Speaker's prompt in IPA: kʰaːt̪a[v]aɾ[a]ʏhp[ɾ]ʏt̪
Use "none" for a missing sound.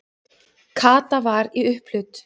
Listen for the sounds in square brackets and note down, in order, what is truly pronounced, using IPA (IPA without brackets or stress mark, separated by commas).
v, i, l